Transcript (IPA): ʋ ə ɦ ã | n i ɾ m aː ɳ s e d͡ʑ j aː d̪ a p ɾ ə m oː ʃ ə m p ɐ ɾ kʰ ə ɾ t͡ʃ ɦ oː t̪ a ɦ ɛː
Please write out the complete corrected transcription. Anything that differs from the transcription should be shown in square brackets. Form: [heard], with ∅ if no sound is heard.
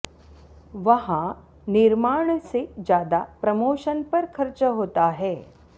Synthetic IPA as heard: ʋ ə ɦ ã | n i ɾ m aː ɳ s e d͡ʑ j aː d̪ a p ɾ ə m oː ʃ ə [n] p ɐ ɾ kʰ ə ɾ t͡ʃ ɦ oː t̪ a ɦ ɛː